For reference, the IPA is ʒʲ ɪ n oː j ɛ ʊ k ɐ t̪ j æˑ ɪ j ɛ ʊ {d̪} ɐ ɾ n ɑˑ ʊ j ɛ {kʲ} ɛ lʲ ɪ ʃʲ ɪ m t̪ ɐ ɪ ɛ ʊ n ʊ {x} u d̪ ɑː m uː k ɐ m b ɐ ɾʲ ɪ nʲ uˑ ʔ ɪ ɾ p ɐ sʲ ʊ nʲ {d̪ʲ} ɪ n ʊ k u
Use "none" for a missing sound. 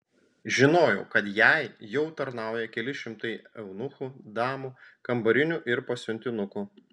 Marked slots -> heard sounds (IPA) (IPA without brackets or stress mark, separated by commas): t̪, kʲ, x, t̪ʲ